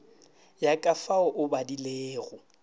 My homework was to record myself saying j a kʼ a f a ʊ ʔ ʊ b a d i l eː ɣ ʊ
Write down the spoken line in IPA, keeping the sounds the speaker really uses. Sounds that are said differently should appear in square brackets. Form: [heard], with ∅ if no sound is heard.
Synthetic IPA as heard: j a kʼ a f a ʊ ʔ ʊ b a d i l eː ɣ ʊ